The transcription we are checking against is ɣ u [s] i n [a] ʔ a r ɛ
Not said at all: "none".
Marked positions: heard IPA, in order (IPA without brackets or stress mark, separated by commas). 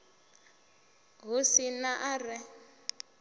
s, a